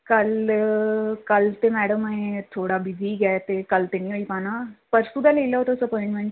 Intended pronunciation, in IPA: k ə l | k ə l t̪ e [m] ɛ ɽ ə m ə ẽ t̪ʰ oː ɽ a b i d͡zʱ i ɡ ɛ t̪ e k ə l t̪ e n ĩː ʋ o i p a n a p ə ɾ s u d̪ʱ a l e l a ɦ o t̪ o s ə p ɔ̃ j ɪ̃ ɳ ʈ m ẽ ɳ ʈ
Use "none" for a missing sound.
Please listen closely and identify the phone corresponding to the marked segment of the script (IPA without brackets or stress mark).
m